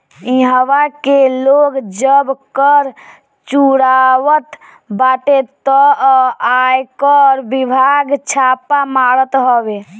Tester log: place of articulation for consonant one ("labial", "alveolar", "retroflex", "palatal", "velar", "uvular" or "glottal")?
glottal